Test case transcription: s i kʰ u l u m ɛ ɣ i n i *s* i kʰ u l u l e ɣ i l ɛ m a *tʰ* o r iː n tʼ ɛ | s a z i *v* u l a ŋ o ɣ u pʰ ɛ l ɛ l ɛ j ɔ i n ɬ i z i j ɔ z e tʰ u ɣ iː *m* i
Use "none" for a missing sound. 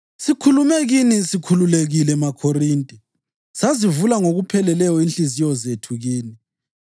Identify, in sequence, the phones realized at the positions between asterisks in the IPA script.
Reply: s, kʰ, v, n

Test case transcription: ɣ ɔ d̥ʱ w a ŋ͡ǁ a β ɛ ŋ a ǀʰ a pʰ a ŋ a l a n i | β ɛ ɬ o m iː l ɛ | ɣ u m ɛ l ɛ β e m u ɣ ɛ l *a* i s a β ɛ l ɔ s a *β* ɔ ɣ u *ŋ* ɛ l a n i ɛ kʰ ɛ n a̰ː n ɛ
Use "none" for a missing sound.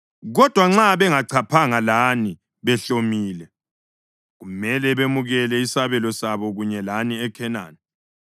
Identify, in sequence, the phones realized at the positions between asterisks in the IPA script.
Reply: ɛ, β, ɲ

